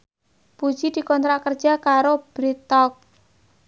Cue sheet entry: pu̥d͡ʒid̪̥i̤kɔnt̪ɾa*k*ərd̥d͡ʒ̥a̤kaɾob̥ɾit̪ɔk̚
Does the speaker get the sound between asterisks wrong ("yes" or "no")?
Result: no